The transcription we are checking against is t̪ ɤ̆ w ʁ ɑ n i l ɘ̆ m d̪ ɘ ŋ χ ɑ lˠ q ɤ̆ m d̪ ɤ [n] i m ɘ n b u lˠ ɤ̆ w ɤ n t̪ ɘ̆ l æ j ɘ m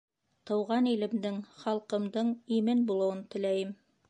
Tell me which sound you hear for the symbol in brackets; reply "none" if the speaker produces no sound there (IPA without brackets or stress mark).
ɴ